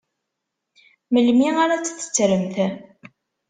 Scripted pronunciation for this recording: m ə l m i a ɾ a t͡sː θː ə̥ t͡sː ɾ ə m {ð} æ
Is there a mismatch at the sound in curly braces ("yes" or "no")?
yes